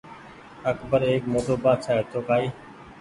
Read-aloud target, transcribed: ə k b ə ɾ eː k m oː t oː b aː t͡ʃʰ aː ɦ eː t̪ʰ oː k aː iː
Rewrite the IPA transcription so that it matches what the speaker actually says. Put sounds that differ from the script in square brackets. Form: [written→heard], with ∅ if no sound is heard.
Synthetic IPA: ə k b ə ɾ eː k m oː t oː b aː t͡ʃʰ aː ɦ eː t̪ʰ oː k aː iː